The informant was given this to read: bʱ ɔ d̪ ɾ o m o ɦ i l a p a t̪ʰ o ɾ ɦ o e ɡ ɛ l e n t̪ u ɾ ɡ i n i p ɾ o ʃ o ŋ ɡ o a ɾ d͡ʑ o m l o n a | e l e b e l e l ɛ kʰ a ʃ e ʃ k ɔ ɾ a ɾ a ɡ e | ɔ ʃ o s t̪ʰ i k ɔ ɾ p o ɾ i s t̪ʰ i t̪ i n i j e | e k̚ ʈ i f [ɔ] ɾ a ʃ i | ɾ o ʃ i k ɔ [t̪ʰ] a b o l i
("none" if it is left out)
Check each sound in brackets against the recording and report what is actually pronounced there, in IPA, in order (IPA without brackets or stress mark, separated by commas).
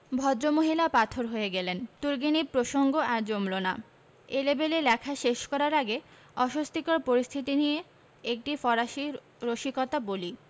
ɔ, t̪